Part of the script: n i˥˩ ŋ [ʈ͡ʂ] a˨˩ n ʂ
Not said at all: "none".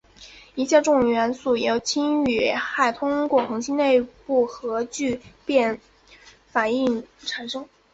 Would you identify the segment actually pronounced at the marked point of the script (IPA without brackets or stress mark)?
ʈ͡ʂʰ